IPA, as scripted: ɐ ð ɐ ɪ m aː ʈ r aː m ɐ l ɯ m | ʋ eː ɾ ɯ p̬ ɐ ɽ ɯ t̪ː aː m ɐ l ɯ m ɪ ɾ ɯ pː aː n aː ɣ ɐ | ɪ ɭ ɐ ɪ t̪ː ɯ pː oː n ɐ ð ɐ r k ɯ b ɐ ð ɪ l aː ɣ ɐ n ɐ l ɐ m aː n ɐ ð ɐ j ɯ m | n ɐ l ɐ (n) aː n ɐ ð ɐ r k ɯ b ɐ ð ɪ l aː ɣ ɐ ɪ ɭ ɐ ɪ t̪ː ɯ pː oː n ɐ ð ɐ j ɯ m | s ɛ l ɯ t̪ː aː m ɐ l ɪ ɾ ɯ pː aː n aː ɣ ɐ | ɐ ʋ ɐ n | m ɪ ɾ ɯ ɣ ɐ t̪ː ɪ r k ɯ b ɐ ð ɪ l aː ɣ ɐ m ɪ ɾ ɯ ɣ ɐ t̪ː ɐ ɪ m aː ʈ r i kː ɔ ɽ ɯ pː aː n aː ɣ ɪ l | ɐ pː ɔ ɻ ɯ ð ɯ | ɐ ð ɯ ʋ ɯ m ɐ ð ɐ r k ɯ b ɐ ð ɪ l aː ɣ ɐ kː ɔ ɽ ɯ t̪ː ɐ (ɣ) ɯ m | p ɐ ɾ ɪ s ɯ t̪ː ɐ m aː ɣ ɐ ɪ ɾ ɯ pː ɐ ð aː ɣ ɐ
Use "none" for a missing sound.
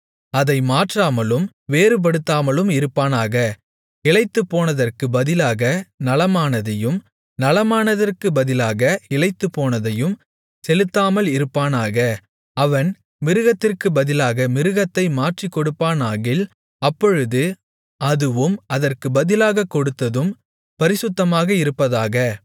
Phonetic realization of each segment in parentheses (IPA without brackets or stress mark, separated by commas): m, ð